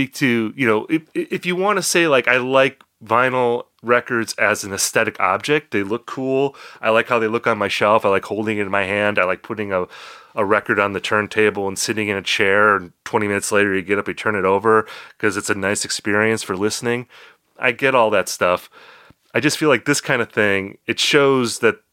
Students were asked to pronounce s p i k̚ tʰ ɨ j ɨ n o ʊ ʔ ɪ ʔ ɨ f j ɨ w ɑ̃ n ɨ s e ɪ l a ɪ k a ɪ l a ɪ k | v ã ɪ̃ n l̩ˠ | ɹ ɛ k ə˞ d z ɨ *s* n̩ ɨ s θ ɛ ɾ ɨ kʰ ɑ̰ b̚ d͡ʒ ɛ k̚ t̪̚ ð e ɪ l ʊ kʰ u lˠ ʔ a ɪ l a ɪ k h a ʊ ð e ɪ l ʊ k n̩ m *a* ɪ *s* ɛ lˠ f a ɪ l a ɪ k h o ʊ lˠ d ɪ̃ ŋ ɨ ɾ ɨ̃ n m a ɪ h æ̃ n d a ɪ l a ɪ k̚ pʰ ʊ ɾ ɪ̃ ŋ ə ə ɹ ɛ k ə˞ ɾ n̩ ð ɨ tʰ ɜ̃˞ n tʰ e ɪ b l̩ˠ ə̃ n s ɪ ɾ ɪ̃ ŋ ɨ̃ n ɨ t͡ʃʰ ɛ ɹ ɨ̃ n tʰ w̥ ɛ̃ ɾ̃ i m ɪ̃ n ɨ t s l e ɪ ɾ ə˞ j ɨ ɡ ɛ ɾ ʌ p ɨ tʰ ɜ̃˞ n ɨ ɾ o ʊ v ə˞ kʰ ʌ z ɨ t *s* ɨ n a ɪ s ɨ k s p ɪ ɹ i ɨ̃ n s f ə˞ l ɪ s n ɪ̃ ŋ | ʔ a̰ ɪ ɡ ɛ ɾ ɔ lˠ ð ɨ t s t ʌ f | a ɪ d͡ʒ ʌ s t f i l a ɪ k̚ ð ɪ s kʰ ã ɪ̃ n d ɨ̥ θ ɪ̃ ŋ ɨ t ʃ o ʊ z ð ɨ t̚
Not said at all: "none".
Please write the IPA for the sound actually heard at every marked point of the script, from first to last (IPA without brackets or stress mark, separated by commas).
z, a, ʃ, s